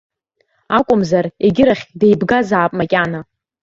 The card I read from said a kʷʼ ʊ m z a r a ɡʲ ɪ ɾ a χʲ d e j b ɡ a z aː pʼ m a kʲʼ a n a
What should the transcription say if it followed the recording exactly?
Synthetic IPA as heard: a kʷʼ ʊ m z a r e ɡʲ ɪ ɾ a χʲ d e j b ɡ a z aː pʼ m a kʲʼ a n a